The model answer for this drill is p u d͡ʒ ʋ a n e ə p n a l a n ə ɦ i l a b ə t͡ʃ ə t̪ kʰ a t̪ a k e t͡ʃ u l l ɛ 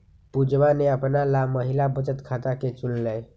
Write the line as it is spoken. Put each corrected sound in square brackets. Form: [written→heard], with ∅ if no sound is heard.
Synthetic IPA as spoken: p u d͡ʒ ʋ a n e ə p n a l a [n→m] ə ɦ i l a b ə t͡ʃ ə t̪ kʰ a t̪ a k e t͡ʃ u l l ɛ